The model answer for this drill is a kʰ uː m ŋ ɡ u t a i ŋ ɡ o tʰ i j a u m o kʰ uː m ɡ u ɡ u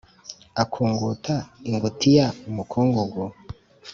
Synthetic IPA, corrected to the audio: a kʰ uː ŋ ɡ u t a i ŋ ɡ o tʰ i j a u m u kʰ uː ŋ ɡ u ɡ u